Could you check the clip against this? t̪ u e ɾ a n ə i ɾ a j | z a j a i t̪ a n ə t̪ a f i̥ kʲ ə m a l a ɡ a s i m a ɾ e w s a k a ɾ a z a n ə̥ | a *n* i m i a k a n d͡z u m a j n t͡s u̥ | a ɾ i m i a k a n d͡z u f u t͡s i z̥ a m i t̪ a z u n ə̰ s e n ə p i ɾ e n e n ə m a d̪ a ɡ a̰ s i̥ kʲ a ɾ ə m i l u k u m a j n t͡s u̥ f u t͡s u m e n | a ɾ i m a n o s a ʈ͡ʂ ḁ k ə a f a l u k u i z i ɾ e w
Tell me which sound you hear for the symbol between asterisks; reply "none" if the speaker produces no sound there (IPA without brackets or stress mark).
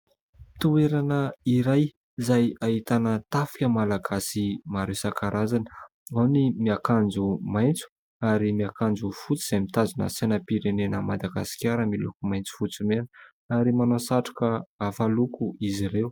n